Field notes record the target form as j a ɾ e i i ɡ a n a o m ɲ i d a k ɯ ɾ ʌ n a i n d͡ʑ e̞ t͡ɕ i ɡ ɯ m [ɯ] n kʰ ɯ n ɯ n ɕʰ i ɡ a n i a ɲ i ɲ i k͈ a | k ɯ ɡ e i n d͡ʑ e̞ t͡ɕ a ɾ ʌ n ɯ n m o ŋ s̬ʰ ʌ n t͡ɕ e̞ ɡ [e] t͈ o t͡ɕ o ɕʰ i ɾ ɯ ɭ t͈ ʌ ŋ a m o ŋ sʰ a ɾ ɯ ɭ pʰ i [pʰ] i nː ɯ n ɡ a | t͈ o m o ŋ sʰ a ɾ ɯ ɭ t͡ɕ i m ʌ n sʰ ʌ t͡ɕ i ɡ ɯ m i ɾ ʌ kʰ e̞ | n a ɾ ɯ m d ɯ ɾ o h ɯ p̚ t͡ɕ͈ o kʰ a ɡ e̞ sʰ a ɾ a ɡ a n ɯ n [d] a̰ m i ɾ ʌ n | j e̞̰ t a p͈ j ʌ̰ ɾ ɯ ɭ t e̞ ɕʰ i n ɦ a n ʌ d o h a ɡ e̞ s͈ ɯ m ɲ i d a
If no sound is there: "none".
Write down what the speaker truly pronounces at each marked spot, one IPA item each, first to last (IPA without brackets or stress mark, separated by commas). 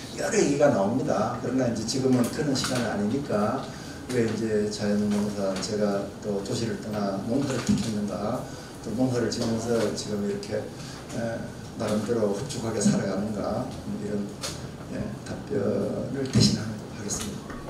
ɯ, a, kʰ, ɡ